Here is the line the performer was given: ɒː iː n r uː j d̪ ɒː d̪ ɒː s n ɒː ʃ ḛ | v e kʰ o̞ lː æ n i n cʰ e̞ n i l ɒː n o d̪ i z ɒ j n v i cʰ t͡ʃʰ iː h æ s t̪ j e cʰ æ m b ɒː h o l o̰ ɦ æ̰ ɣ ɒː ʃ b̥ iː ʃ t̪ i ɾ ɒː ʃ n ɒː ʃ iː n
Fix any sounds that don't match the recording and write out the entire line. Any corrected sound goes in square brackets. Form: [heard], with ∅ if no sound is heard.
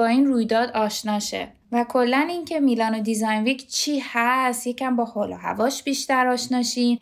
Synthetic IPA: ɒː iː n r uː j d̪ ɒː d̪ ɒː [ʃ] n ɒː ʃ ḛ | v [æ] kʰ o̞ lː æ n i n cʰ e̞ [m] i l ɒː n o d̪ i z ɒ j n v i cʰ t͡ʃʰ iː h æ s t̪ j e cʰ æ m b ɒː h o l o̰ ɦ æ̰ [v] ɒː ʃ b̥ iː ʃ t̪ [æ] ɾ ɒː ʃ n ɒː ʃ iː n